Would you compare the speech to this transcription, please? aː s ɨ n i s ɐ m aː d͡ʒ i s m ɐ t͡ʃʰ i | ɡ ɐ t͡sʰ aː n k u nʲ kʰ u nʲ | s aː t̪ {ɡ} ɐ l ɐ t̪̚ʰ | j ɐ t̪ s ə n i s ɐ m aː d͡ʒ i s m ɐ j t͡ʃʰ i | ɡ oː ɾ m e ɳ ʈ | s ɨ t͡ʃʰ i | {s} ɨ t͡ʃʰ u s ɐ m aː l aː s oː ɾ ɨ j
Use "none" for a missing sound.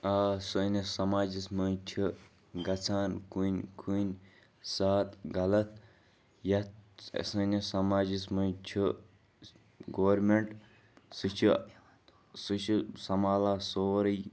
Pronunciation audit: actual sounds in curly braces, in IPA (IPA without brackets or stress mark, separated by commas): ɡ, s